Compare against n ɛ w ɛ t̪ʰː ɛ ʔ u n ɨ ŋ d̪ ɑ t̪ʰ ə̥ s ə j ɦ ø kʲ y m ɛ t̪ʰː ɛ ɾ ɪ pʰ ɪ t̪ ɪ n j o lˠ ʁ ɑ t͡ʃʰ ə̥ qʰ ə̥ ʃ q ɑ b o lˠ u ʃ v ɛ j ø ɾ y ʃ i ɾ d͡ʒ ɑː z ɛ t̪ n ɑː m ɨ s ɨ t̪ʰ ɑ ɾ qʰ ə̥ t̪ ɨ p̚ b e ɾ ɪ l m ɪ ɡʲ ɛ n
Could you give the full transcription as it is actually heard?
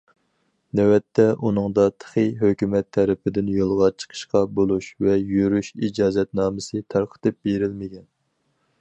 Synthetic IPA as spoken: n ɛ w ɛ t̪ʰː ɛ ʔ u n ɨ ŋ d̪ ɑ t̪ʰ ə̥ χ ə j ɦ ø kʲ y m ɛ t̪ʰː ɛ ɾ ɪ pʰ ɪ d̪ ɪ n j o lˠ ʁ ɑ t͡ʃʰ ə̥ qʰ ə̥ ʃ q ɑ b o lˠ u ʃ v ɛ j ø ɾ y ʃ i d͡ʒ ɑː z ɛ t̪ n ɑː m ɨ s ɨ t̪ʰ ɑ ɾ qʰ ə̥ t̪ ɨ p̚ b e ɾ ɪ l m ɪ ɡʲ ɛ n